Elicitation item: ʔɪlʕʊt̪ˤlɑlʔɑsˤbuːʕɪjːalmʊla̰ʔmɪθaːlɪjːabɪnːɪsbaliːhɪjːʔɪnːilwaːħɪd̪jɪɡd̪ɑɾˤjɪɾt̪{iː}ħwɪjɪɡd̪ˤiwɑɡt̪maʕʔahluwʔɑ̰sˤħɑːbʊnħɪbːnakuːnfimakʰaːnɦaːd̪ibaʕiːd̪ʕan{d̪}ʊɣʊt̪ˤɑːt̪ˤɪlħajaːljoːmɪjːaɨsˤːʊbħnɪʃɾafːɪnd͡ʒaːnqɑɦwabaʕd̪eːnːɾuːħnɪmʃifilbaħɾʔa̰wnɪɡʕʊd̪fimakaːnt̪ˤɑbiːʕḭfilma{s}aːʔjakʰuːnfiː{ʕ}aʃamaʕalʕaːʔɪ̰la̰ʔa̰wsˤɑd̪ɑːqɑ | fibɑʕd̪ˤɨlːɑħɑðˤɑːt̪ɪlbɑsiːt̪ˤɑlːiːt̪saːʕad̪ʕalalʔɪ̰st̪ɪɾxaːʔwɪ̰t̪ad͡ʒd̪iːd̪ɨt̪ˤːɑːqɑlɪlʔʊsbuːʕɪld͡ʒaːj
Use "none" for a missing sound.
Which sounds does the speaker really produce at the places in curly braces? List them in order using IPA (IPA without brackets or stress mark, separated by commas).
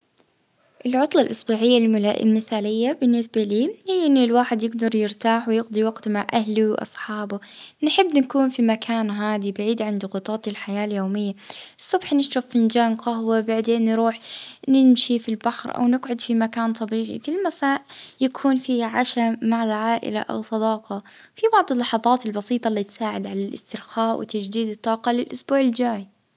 aː, d̪, s, ʕ